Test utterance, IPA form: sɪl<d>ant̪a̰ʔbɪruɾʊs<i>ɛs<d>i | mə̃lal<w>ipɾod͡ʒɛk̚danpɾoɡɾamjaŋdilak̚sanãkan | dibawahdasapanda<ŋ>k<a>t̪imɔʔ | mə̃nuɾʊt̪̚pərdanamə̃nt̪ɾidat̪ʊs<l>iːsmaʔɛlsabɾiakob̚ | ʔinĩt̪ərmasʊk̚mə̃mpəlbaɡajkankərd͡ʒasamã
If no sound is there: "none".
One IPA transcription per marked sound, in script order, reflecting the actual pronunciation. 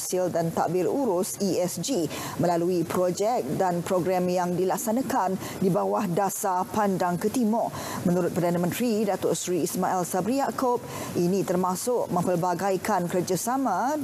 d, i, d͡ʒ, u, ŋ, ə, ɾ

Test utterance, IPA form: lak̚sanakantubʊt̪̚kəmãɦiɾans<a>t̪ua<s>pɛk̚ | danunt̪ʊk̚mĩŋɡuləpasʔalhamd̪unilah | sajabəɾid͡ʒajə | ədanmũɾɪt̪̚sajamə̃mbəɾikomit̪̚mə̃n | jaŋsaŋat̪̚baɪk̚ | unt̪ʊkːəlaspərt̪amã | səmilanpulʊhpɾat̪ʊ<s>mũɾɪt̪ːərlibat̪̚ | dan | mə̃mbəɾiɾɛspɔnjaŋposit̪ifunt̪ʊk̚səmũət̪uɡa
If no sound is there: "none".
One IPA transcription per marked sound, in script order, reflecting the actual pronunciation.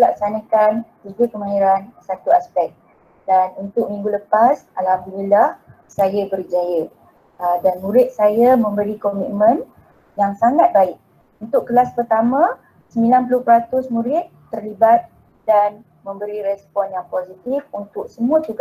a, s, s

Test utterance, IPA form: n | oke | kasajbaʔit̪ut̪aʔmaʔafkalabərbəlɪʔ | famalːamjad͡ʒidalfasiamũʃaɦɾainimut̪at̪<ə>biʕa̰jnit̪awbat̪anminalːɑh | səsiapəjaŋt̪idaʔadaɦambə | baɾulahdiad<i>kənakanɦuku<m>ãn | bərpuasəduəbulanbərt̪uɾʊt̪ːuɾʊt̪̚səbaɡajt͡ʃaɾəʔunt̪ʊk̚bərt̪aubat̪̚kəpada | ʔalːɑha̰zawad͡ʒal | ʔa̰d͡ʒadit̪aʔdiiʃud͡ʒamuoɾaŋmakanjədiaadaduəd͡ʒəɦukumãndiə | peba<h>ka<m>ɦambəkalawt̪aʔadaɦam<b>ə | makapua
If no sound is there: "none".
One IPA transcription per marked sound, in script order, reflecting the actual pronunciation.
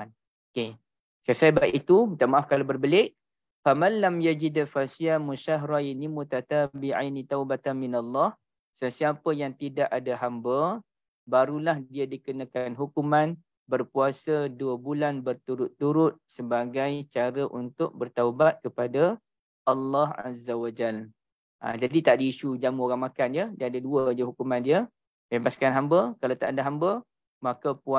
a, i, m, s, n, b

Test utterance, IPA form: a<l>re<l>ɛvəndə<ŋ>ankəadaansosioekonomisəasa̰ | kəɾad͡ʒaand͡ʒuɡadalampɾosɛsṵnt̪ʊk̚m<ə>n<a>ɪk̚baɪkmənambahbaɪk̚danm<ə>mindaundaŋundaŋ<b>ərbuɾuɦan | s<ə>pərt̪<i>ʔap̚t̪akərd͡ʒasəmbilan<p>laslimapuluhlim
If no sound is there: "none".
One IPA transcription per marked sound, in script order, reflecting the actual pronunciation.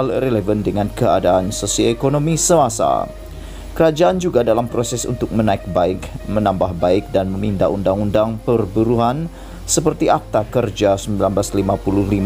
l, l, ŋ, ə, a, ə, p, ə, i, b

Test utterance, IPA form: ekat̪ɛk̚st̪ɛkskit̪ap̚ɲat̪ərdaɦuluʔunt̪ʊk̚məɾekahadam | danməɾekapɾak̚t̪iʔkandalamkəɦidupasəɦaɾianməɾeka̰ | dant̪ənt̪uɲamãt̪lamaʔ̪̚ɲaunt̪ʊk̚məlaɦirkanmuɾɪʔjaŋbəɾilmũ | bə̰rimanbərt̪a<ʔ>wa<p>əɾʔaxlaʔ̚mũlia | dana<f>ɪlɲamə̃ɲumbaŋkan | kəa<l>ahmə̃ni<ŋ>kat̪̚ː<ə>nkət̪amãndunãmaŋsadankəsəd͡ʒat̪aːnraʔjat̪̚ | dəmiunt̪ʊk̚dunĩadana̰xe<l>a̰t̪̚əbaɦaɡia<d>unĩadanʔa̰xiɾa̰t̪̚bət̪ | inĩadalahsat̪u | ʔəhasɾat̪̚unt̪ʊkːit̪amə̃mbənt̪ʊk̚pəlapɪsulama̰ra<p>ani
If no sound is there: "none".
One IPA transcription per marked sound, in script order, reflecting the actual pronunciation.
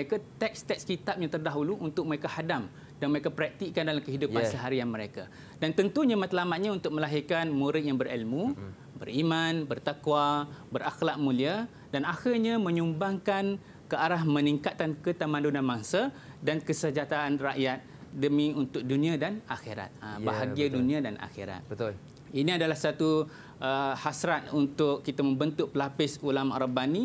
k, b, x, ɾ, ŋ, a, ɾ, d, b

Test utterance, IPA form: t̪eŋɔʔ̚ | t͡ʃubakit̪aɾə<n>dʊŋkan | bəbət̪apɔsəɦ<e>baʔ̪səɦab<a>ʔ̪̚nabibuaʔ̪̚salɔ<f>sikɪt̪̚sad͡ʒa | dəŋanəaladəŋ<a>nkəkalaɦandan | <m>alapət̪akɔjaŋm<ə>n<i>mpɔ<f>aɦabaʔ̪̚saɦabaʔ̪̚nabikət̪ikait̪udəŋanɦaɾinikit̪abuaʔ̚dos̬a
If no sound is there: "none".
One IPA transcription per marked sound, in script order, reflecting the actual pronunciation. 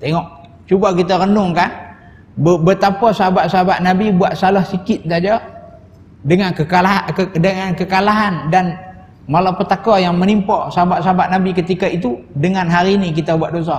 n, a, a, h, a, m, ə, i, s

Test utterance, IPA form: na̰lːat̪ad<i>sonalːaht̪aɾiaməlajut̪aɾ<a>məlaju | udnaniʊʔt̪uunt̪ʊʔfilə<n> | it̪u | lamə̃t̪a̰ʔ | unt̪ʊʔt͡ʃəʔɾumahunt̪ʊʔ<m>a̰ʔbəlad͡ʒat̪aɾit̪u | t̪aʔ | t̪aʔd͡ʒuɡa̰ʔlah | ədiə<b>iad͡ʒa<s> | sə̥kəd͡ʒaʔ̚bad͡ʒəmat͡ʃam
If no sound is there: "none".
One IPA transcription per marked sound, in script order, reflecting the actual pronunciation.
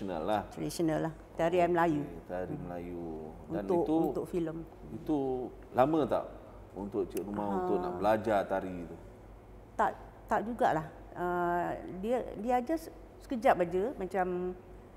i, i, m, n, d, s

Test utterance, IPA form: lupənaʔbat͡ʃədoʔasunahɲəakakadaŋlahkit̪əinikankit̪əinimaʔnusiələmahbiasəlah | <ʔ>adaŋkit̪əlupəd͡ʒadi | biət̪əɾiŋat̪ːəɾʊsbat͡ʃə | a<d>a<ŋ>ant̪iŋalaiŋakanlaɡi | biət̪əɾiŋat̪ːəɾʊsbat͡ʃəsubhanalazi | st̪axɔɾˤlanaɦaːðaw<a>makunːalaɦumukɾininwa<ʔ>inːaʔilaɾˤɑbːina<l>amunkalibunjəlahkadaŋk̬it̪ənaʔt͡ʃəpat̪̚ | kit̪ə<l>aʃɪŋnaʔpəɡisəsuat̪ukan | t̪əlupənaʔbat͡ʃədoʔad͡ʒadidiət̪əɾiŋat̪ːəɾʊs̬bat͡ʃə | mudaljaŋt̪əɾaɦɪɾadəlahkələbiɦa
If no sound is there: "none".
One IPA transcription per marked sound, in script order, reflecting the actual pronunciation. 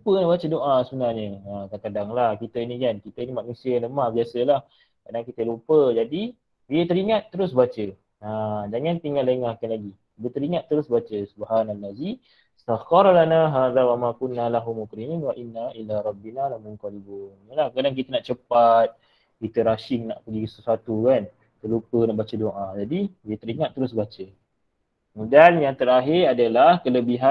k, d͡ʒ, ŋ, a, ʔ, l, ɾ

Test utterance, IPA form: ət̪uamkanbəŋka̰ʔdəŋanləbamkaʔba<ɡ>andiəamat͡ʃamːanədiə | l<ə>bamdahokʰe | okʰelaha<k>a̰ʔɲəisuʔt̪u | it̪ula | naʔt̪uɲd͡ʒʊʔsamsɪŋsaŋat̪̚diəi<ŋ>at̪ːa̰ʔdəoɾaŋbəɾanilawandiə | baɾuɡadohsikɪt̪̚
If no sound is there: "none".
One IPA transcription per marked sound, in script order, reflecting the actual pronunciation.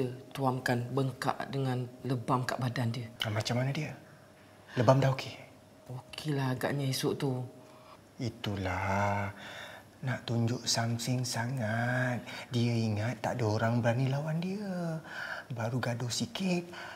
d, ə, ɡ, ŋ

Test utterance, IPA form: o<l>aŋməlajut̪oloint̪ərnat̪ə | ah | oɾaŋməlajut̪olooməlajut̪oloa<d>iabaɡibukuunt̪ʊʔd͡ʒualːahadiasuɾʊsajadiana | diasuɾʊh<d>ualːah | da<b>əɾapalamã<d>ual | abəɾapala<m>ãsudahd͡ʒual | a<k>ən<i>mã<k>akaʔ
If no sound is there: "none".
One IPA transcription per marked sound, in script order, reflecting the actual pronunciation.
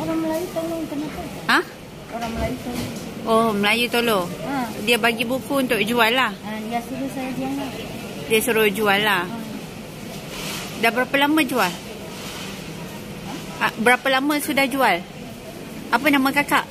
ɾ, d, d͡ʒ, b, d͡ʒ, m, p, a, k

